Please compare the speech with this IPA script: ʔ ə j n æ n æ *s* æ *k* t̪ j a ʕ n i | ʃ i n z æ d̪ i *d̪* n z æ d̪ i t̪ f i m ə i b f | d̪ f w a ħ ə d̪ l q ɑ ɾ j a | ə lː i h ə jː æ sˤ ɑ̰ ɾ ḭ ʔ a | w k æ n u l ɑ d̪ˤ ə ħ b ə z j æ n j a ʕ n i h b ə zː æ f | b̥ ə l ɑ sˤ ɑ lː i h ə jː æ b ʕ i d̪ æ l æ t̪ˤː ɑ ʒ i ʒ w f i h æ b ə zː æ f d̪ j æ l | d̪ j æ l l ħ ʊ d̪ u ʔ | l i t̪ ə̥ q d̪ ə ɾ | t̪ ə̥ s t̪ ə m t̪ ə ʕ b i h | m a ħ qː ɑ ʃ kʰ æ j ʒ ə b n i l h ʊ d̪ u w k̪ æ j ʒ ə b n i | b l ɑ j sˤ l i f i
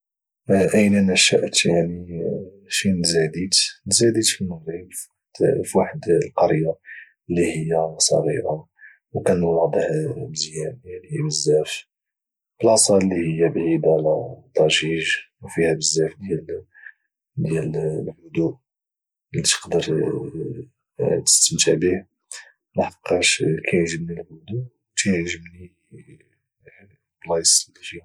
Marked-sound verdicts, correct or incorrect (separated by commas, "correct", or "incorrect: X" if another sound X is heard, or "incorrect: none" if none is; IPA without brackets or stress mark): incorrect: ʃ, incorrect: ʔ, incorrect: t̪